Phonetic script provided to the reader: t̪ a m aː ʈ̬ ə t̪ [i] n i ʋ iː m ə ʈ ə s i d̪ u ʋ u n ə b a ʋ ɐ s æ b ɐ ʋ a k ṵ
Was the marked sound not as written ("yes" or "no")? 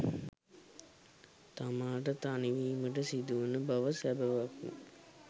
yes